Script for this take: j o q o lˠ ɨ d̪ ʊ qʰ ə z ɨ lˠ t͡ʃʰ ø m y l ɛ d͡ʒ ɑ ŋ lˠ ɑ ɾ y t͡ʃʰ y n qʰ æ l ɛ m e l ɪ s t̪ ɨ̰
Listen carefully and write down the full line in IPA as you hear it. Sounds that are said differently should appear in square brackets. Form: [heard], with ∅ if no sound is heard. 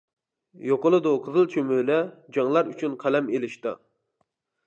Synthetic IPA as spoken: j o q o lˠ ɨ d̪ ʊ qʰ ə z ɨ lˠ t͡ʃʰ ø m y l ɛ d͡ʒ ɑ ŋ lˠ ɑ ɾ y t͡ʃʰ y n qʰ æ l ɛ m e l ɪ [ʃ] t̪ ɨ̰